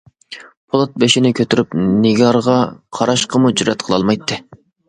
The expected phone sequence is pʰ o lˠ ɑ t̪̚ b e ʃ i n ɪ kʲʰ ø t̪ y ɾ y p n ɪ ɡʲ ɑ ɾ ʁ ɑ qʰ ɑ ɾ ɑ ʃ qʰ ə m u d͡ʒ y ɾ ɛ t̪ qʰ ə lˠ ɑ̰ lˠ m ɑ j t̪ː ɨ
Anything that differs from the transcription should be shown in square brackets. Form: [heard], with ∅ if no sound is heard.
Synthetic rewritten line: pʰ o lˠ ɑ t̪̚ b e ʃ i n ɪ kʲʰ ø t̪ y ɾ y p n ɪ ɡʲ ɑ ɾ ʁ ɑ qʰ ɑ ɾ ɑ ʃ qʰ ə m u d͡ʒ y ɾ ɛ t̪ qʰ ə lˠ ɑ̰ lˠ m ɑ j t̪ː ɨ